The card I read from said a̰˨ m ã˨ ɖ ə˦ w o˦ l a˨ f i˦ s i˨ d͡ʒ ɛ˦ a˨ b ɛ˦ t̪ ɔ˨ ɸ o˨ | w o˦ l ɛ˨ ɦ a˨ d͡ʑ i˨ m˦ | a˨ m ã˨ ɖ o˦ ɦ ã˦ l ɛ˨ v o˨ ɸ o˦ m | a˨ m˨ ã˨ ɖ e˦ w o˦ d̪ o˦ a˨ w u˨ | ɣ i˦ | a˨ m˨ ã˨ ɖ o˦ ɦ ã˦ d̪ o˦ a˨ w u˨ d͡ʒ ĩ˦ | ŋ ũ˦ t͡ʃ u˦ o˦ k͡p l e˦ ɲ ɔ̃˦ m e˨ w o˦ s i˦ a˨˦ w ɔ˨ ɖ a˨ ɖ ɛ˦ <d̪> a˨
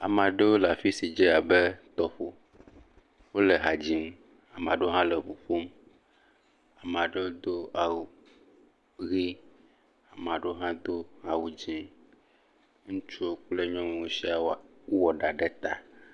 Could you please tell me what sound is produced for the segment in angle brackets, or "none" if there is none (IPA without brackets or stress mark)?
t̪